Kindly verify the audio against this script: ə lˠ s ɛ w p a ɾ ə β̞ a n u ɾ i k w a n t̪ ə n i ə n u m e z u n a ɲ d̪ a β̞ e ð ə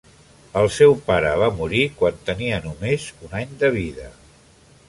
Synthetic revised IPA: ə lˠ s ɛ w p a ɾ ə β̞ a m u ɾ i k w a n t̪ ə n i ə n u m e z u n a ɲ d̪ ə β̞ i ð ə